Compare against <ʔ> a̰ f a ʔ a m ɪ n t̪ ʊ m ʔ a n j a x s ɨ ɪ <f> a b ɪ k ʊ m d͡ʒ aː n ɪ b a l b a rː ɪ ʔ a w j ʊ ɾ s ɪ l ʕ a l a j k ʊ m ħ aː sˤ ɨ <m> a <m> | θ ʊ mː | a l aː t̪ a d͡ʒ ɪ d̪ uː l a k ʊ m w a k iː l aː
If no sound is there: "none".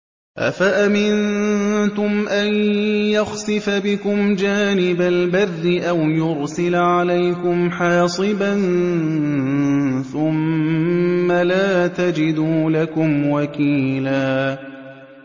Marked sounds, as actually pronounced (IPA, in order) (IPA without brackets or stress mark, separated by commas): ʔ, f, b, n